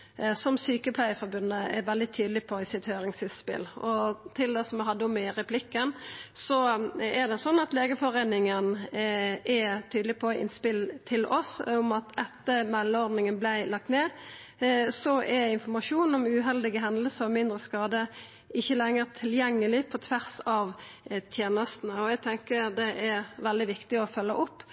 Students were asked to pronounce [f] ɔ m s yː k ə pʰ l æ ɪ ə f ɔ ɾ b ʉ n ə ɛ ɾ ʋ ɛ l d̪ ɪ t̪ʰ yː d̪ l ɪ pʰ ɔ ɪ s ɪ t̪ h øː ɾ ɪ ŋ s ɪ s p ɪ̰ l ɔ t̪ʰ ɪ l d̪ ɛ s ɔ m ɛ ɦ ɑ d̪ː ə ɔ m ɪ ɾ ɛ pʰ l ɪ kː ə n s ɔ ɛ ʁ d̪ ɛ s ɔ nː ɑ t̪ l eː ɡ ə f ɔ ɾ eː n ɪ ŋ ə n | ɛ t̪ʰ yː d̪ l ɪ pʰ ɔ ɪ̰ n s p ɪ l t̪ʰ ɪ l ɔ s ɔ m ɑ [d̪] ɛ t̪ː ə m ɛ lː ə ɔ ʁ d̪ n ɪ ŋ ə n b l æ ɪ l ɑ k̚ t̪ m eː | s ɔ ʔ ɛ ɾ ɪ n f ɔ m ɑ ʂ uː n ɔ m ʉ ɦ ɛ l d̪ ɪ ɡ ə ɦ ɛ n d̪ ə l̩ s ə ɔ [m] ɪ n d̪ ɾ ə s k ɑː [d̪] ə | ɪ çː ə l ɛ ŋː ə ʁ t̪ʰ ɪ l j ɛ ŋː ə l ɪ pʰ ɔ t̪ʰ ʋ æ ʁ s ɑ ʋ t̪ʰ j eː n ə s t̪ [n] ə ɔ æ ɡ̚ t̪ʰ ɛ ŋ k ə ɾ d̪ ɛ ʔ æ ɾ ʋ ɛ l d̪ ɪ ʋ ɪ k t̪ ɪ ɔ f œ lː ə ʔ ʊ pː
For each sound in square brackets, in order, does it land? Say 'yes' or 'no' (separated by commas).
no, no, yes, yes, yes